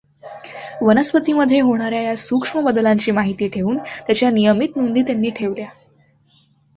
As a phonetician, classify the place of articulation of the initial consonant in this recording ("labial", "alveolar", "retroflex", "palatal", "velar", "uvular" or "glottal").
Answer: labial